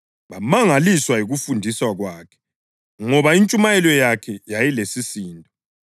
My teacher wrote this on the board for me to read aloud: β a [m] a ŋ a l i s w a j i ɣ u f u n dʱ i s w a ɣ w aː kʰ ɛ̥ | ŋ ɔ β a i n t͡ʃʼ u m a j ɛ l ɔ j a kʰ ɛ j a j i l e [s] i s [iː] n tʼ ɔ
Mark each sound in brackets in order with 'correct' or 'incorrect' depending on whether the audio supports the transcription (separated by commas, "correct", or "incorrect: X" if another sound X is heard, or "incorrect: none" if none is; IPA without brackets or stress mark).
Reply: correct, correct, correct